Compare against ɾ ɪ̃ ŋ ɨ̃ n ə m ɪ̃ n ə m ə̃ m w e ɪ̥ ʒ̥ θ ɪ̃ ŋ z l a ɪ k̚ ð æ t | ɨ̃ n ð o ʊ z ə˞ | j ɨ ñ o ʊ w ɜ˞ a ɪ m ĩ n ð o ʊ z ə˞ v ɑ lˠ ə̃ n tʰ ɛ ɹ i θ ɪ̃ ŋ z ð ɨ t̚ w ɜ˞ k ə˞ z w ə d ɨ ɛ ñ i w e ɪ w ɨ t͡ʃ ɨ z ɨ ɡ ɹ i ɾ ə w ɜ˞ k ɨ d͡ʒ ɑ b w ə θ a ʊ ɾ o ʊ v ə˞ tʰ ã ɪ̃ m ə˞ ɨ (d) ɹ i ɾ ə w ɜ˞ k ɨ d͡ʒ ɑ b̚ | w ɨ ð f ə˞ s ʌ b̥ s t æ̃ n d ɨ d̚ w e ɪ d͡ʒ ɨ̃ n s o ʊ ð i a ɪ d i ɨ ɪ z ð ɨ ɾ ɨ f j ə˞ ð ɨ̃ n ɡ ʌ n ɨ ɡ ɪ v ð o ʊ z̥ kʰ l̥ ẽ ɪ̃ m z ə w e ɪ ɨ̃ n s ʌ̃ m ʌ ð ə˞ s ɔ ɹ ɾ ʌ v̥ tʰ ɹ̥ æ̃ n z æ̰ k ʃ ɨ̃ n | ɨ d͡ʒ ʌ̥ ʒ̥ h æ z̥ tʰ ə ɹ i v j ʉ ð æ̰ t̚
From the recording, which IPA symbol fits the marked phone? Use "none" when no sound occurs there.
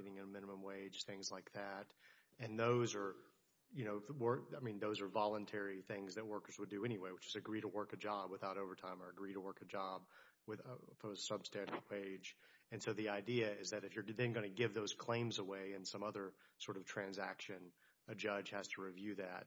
ɡ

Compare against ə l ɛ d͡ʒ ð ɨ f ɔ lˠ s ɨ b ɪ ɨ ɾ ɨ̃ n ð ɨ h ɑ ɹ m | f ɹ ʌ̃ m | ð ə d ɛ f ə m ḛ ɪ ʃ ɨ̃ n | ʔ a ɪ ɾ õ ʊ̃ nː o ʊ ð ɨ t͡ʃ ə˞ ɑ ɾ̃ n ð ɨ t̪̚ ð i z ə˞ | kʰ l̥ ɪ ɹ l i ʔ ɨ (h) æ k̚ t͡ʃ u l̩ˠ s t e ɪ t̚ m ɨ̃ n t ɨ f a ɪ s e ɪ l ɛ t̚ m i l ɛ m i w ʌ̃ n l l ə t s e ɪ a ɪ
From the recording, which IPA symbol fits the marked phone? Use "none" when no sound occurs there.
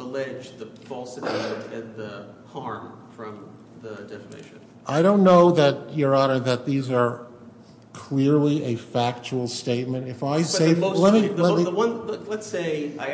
f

